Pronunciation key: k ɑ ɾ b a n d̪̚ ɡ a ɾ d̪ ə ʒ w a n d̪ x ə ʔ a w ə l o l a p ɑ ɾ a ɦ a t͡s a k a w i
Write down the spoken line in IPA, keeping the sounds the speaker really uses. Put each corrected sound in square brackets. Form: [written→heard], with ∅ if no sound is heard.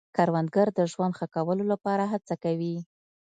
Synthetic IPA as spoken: k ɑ ɾ [b→w] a n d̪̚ ɡ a ɾ d̪ ə ʒ w a n d̪ x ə [ʔ→k] a w ə l o l a p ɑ ɾ a ɦ a t͡s a k a w i

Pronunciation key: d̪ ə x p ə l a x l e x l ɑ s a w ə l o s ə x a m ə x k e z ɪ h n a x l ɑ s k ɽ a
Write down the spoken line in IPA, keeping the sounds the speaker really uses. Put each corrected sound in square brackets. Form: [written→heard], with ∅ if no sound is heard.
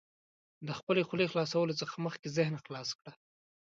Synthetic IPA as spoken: d̪ ə x p ə l [a→e] x l e x l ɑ s a w ə l o [s→t͡s] ə x a m ə x k e z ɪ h n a x l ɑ s k ɽ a

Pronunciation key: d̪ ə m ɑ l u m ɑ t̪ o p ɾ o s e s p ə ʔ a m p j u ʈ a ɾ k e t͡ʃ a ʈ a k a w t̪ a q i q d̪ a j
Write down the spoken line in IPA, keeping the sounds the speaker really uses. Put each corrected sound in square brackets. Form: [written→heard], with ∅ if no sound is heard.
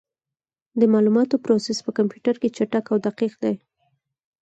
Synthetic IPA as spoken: d̪ ə m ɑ l u m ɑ t̪ o p ɾ o s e s p ə [ʔ→k] a m p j u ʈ a ɾ k e t͡ʃ a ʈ a k a w [t̪→d̪] a q i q d̪ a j

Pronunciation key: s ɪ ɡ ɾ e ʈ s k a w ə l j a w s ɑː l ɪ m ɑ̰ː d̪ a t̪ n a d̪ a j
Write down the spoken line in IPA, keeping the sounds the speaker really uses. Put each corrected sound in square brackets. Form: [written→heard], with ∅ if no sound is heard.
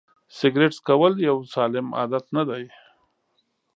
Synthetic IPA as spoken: s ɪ ɡ ɾ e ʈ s k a w ə l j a w s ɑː l ɪ m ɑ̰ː d̪ a t̪ n a d̪ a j

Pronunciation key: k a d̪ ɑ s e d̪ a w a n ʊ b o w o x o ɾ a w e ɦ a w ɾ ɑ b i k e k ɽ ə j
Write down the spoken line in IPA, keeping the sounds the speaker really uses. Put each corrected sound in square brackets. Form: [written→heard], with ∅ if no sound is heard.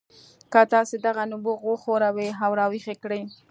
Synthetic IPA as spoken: k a [d̪→t̪] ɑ s e d̪ a [w→ɣ] a n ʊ b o [w→ɣ] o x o ɾ a w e ɦ a w ɾ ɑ [b→w] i [k→x] e k ɽ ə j

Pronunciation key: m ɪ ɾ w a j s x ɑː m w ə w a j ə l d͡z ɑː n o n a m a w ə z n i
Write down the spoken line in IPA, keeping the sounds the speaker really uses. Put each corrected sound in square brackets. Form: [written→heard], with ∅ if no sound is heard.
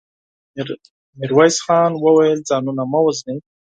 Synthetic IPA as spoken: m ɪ ɾ w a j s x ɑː [m→n] w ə w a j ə l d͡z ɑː n [o→u] n a m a w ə z n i

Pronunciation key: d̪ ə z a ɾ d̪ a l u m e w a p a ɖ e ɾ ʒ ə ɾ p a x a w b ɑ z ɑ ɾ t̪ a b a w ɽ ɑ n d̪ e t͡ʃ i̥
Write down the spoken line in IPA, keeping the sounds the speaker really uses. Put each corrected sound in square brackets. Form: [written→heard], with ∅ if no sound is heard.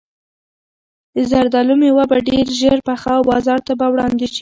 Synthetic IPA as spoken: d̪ ə z a ɾ d̪ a l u m e w a [p→b] a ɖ e ɾ ʒ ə ɾ p a x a w b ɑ z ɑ ɾ t̪ a b a w ɽ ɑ n d̪ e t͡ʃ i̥

